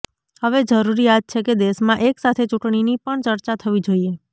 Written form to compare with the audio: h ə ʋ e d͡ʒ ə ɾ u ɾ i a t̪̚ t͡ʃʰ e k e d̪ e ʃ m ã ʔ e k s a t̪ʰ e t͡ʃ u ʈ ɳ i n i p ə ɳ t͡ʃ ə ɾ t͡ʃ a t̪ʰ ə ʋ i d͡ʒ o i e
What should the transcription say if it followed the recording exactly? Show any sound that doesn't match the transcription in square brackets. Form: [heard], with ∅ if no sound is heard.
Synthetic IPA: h ə ʋ e d͡ʒ ə ɾ u ɾ i a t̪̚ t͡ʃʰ e k e d̪ e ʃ m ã ʔ e k s a t̪ʰ e t͡ʃ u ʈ ɳ i n i p ə ɳ t͡ʃ ə ɾ t͡ʃ a t̪ʰ ə ʋ i d͡ʒ o i e